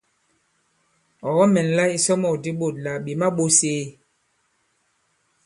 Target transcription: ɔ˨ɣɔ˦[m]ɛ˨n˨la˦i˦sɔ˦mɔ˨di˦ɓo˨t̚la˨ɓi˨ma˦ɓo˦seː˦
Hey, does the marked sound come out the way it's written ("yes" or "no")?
yes